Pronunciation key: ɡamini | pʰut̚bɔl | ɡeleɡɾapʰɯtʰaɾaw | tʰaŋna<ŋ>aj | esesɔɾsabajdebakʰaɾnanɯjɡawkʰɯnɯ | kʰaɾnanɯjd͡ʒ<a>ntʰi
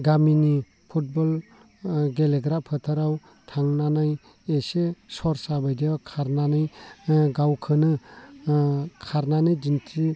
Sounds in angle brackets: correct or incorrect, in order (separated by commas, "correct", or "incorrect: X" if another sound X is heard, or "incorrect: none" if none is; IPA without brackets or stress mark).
incorrect: n, incorrect: i